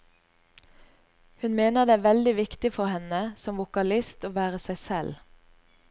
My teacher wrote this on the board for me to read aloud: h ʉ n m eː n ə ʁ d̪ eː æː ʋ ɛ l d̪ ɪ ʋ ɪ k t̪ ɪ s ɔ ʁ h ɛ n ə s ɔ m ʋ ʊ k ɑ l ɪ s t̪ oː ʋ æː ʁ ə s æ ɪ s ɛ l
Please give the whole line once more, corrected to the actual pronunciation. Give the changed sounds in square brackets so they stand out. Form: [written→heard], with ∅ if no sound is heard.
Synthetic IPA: h ʉ n m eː n ə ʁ d̪ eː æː ʋ ɛ l d̪ ɪ ʋ ɪ k t̪ ɪ [s→f] ɔ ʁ h ɛ n ə s ɔ m ʋ ʊ k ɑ l ɪ s t̪ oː ʋ æː ʁ ə s æ ɪ s ɛ l